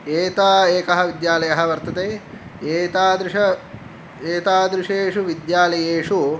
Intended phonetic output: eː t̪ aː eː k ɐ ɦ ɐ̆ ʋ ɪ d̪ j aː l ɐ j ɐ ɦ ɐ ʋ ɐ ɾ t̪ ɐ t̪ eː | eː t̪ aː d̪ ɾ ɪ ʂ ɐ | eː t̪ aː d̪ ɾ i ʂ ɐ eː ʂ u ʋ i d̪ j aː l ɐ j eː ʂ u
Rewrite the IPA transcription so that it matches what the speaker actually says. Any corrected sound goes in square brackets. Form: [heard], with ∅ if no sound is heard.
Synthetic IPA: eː t̪ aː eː k ɐ ɦ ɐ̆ ʋ [i] d̪ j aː l ɐ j ɐ ɦ ɐ ʋ ɐ ɾ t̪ ɐ t̪ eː | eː t̪ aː d̪ ɾ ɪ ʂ ɐ | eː t̪ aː d̪ ɾ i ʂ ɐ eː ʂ u ʋ i d̪ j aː l ɐ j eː ʂ u